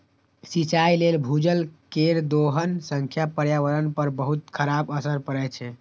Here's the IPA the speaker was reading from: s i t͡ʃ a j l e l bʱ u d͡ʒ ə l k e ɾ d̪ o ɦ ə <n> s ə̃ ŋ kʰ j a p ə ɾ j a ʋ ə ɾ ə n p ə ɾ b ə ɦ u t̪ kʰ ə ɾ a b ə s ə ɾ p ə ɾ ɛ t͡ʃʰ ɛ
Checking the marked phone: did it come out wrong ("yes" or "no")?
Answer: no